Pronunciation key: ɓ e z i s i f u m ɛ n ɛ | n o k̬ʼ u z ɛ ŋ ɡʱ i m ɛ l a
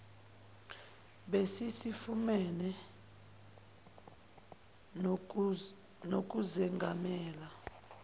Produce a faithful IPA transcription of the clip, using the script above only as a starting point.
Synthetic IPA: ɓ e s i s i f u m ɛ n ɛ | n o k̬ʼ u z ɛ ŋ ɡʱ a m ɛː l a